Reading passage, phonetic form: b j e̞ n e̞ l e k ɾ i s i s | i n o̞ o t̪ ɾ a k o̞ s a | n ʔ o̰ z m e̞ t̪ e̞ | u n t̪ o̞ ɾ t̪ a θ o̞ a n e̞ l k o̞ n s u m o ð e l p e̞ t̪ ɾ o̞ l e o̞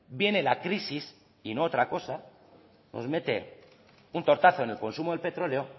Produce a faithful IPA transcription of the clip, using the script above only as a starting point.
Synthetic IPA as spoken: b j e̞ n e̞ l a k ɾ i s i s | i n o̞ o t̪ ɾ a k o̞ s a | n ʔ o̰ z m e̞ t̪ e̞ | u n t̪ o̞ ɾ t̪ a θ o̞ e n e̞ l k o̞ n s u m o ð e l p e̞ t̪ ɾ o̞ l e o̞

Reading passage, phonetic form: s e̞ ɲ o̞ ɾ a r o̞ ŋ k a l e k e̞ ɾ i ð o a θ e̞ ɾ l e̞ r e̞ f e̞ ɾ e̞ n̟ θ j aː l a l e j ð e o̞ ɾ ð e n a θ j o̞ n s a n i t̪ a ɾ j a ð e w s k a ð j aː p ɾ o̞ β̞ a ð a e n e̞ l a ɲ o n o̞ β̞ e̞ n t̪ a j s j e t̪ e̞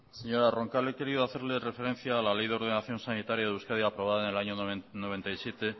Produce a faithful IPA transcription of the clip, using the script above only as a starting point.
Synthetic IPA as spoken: s e̞ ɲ o̞ ɾ a r o̞ ŋ k a l e k e̞ ɾ i ð o a θ e̞ ɾ l e̞ r e̞ f e̞ ɾ e̞ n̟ θ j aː l a l e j ð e o̞ ɾ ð e n a θ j o̞ n s a n i t̪ a ɾ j a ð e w s k a ð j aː p ɾ o̞ β̞ a ð a e n e̞ l a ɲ o n o̞ β̞ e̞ n t̪ a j s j e t̪ e̞

